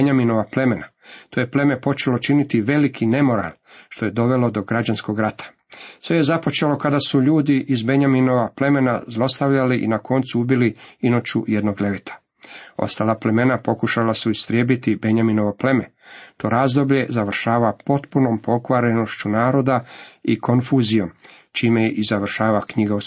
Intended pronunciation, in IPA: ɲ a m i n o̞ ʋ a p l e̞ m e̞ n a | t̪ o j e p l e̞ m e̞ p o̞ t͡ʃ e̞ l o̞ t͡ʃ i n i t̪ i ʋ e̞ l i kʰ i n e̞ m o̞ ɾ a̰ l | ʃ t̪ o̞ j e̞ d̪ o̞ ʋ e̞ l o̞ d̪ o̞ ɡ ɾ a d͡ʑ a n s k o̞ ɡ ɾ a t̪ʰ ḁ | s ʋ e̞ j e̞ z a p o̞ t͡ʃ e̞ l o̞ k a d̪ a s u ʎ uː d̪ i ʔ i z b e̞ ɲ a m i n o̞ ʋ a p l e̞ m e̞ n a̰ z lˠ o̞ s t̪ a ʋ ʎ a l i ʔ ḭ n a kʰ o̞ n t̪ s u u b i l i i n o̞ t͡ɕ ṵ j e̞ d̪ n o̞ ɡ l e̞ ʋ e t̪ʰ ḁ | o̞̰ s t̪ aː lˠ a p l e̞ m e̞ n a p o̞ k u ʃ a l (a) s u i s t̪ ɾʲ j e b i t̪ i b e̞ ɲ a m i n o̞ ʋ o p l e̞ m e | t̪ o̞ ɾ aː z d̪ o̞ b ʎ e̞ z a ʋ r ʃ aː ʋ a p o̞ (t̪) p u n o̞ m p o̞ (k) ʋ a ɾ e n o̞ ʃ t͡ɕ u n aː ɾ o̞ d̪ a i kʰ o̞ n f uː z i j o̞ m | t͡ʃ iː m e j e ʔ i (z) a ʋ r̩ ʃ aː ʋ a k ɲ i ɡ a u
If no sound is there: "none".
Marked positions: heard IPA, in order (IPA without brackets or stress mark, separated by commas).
a, t̪, k, z